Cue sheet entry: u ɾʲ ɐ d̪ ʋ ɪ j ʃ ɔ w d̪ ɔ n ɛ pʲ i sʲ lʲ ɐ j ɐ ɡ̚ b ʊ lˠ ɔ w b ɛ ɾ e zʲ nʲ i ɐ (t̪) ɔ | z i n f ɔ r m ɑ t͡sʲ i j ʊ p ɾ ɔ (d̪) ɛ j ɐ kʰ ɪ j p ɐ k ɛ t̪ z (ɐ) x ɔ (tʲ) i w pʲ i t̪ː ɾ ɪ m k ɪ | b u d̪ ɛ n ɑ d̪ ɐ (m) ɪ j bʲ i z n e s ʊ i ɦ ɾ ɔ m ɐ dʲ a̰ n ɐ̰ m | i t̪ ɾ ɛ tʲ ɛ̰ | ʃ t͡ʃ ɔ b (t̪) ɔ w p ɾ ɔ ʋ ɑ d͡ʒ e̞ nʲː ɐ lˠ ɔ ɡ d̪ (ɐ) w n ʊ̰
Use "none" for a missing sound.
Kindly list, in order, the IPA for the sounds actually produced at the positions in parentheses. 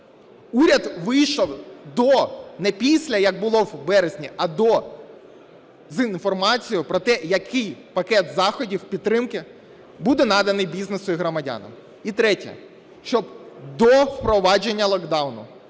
d̪, t̪, ɑ, dʲ, n, d̪, ɑ

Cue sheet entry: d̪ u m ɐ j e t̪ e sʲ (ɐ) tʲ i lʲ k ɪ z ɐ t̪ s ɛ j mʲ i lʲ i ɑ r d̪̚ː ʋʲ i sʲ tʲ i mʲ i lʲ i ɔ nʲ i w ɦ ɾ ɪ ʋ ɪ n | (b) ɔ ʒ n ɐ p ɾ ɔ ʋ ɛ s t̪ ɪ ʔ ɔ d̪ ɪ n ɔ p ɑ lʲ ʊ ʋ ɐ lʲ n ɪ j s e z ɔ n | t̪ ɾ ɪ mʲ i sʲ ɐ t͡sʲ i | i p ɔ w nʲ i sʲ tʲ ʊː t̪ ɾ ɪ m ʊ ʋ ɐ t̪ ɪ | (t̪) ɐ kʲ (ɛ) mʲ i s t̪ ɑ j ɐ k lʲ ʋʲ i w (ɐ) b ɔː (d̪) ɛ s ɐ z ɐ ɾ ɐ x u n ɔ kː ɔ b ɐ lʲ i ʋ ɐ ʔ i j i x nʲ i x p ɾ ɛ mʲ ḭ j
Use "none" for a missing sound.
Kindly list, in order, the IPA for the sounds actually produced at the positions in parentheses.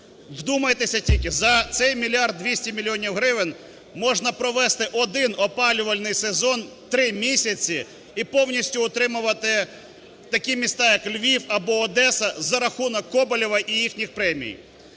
ɐ, m, t̪, i, ɐ, d̪

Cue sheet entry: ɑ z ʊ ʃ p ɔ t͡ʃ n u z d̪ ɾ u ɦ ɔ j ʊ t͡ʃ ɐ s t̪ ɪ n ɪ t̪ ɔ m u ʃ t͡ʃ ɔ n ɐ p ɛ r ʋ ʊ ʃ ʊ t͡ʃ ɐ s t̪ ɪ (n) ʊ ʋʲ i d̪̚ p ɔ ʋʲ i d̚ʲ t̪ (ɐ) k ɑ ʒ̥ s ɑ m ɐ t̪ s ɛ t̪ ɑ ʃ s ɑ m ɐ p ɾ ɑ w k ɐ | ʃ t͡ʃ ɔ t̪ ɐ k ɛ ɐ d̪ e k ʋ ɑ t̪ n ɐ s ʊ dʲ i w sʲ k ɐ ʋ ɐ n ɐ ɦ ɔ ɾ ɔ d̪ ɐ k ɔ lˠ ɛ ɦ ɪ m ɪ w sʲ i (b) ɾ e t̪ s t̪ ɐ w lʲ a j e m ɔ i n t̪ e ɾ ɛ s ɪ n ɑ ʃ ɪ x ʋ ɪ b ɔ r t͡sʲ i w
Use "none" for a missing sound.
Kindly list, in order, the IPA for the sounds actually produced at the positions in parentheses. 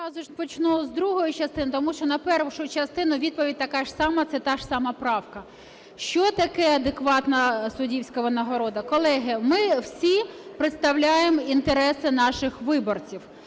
n, ɐ, p

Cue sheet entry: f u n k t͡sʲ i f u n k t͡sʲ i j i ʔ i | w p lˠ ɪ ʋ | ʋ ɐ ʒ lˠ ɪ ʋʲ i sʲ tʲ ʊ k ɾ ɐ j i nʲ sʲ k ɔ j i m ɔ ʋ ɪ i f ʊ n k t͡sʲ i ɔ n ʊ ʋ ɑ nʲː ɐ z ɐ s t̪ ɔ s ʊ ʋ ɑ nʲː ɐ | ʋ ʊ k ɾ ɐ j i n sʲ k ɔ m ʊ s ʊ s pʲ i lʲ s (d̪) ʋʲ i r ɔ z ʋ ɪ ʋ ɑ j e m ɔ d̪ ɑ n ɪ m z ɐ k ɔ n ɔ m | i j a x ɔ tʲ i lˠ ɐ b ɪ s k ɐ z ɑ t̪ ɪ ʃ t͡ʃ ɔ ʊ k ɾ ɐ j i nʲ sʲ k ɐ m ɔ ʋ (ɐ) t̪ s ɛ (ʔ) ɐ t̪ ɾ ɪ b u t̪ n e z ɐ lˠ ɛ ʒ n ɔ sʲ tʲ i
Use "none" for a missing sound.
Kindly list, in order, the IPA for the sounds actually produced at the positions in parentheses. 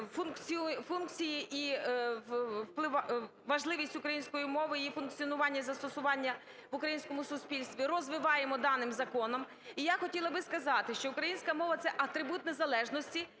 t̪, ɐ, ʔ

